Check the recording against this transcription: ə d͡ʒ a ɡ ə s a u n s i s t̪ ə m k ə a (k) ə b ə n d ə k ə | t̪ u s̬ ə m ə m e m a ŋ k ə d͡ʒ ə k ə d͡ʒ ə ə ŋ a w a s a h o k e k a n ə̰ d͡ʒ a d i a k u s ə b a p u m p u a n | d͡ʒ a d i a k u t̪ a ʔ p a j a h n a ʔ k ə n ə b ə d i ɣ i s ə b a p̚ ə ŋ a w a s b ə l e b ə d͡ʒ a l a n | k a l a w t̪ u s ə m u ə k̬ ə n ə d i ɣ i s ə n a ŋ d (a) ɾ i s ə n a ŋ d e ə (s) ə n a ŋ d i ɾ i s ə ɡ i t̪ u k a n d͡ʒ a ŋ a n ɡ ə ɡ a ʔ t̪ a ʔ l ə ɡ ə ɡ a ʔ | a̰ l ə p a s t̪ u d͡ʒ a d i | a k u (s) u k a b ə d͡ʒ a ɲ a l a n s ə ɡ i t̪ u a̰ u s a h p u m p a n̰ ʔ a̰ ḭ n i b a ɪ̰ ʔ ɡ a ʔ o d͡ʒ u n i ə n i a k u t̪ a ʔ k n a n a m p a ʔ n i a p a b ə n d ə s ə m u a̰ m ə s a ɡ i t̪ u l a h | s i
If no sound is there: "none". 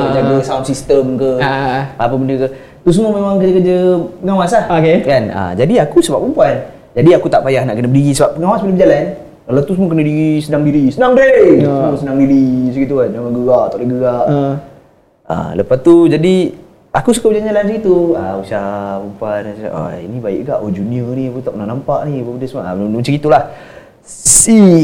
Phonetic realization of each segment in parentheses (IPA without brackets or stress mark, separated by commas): p, i, s, s